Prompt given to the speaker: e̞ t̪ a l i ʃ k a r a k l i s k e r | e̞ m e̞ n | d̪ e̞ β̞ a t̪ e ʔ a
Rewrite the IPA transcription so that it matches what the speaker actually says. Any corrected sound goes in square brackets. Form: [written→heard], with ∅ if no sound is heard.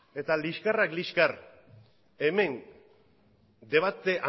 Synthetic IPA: e̞ t̪ a l i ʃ k a r a k l i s k [e→a] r | e̞ m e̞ n | d̪ e̞ β̞ a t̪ e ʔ a